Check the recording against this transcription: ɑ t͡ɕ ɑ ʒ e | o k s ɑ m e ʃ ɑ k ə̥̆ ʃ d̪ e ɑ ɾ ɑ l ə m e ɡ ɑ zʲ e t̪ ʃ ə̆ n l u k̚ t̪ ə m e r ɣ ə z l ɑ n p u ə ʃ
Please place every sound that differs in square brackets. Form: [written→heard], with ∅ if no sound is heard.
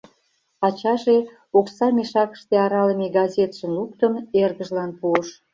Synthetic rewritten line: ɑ t͡ɕ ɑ ʒ e | o k s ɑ m e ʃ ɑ k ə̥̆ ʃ [d̪→t̪] e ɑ ɾ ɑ l ə m e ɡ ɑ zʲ e t̪ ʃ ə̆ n l u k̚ t̪ ə m e r ɣ ə [z→ʒ] l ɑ n p u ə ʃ